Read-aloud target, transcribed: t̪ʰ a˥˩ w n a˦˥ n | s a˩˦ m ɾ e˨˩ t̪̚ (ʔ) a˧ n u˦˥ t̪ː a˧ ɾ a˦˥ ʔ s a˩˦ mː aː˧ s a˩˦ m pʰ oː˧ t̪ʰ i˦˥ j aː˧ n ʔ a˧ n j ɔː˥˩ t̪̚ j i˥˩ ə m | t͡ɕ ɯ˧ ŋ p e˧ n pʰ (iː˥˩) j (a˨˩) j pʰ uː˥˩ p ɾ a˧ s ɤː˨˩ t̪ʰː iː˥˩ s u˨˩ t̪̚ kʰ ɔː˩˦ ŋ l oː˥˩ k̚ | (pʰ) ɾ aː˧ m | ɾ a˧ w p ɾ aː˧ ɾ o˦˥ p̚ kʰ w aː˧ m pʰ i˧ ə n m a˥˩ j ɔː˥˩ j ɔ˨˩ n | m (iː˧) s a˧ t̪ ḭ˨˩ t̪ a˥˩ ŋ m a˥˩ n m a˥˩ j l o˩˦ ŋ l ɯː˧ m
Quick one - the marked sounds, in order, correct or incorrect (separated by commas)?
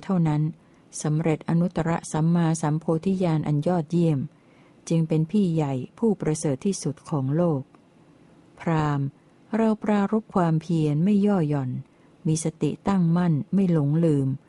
correct, correct, correct, correct, correct